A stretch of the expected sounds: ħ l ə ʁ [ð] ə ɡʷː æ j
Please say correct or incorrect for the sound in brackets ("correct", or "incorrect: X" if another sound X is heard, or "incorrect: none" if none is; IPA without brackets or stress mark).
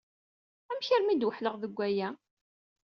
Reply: correct